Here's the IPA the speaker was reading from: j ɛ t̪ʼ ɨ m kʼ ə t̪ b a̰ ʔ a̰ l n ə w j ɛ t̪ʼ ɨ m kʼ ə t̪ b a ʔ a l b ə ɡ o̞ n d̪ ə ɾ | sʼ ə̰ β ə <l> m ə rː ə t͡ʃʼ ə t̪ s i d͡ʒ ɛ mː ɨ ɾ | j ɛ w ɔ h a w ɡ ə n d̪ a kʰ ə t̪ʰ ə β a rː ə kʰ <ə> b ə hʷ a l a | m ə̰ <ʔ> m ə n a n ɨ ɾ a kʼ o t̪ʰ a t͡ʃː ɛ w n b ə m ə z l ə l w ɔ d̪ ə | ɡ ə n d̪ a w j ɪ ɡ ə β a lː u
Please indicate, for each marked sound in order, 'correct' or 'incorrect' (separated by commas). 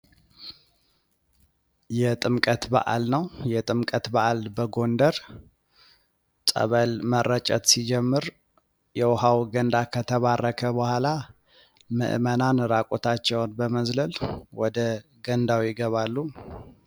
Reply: correct, correct, correct